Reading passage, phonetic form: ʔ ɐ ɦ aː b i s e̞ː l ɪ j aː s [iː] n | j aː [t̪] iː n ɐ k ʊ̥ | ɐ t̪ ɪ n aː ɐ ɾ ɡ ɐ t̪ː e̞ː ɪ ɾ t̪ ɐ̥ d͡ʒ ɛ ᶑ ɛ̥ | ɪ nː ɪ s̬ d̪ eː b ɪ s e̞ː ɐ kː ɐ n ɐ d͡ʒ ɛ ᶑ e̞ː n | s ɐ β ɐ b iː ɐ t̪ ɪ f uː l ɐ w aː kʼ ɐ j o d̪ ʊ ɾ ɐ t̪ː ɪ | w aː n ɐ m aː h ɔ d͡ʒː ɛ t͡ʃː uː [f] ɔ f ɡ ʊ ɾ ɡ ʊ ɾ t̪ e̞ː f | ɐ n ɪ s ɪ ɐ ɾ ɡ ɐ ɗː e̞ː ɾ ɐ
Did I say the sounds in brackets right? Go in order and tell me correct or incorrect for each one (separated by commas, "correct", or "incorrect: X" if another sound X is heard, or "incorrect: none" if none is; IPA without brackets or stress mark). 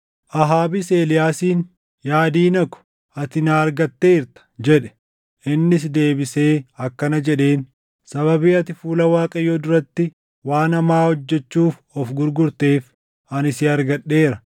correct, incorrect: d̪, correct